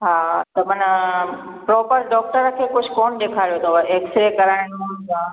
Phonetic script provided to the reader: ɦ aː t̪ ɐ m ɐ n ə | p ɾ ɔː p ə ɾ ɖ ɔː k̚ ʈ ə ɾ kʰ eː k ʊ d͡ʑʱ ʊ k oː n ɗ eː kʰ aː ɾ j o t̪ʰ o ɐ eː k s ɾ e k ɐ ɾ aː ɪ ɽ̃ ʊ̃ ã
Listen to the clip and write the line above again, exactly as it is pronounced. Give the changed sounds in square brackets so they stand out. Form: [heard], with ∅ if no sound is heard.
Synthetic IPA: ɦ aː t̪ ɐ m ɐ n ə | p ɾ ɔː p ə ɾ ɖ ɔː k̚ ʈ ə ɾ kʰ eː k ʊ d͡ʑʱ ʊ k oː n ɗ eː kʰ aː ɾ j o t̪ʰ o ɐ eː k s ɾ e k ɐ ɾ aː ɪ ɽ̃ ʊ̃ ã